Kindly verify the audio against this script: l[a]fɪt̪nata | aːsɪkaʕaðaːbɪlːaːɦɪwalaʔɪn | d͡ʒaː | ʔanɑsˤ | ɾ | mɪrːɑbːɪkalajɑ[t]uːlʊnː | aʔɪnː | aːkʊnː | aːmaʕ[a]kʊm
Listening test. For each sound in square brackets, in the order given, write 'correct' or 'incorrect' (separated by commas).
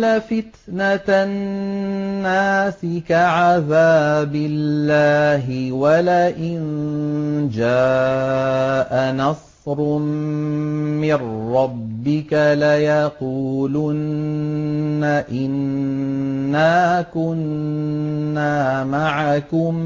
correct, incorrect, correct